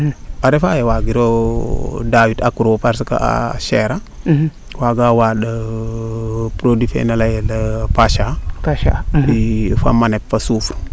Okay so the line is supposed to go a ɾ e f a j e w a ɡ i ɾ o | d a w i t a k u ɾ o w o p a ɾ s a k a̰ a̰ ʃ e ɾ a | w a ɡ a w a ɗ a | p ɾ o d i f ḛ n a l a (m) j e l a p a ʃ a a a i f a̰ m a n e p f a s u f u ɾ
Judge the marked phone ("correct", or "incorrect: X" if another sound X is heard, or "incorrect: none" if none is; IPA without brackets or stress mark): incorrect: none